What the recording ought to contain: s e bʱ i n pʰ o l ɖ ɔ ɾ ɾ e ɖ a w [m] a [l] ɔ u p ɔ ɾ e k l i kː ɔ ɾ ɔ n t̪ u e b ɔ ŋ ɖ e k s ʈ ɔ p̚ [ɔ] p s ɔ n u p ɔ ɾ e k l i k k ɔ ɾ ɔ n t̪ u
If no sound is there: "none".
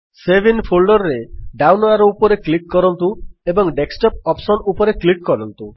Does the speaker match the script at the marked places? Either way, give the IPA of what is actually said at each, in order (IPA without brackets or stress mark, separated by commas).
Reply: n, ɾ, ɔ